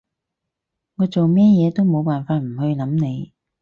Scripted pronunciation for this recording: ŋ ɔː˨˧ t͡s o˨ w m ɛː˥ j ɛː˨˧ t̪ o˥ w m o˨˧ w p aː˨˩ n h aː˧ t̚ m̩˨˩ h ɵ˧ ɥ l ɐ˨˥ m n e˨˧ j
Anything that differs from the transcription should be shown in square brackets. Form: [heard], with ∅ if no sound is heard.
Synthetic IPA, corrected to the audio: ŋ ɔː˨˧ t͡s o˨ w m ɛː˥ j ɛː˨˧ t̪ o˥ w m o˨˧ w p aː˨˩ n [f] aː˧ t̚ m̩˨˩ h ɵ˧ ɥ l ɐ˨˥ m n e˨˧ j